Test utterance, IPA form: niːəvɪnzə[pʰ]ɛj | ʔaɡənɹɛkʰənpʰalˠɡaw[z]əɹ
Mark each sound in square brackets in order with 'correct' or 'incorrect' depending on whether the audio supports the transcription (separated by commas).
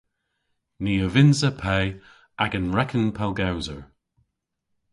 correct, correct